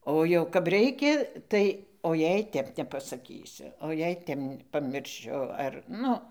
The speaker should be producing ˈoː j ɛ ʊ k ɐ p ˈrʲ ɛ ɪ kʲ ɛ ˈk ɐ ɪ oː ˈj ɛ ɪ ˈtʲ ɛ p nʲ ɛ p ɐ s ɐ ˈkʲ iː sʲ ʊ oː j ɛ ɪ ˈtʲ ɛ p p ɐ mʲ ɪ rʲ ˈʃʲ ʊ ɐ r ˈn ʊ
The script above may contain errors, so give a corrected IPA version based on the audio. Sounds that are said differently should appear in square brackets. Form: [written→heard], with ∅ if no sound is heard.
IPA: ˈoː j ɛ ʊ k ɐ p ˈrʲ ɛ ɪ kʲ ɛ [ˈk→ˈt] ɐ ɪ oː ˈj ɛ ɪ ˈtʲ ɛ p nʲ ɛ p ɐ s ɐ ˈkʲ iː sʲ ʊ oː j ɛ ɪ ˈtʲ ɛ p p ɐ mʲ ɪ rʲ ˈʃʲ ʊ ɐ r ˈn ʊ